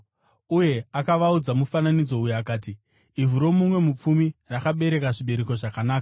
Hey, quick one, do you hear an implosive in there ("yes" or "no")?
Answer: yes